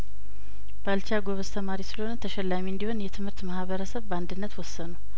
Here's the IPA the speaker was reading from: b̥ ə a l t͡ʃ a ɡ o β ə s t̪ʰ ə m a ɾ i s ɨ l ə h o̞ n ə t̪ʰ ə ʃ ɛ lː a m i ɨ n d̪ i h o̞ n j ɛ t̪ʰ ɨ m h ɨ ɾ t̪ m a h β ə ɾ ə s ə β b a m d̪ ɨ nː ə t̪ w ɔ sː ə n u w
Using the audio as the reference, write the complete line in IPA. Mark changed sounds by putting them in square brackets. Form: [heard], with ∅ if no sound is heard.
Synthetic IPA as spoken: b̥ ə a l t͡ʃ a ɡ o β ə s t̪ʰ ə m a ɾ i s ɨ l ə h o̞ n ə t̪ʰ ə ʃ ɛ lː a m i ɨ n d̪ i h o̞ n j ɛ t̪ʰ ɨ m h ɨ ɾ t̪ m a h β ə ɾ ə s ə β b a [n] d̪ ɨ nː ə t̪ w ɔ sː ə n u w